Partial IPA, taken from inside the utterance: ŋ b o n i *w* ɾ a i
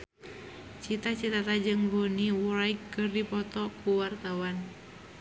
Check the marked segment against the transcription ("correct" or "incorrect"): correct